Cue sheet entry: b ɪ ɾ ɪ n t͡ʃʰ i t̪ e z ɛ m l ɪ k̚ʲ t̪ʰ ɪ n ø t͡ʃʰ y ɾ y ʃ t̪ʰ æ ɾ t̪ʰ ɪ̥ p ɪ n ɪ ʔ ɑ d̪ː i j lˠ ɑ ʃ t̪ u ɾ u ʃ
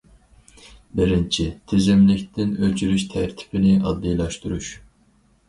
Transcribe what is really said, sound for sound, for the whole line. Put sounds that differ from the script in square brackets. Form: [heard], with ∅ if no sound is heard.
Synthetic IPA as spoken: b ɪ ɾ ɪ n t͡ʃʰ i [t̪ʰ] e z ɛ m l ɪ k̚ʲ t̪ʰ ɪ n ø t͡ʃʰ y ɾ y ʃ t̪ʰ æ ɾ t̪ʰ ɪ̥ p ɪ n ɪ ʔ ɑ d̪ː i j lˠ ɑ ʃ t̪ u ɾ u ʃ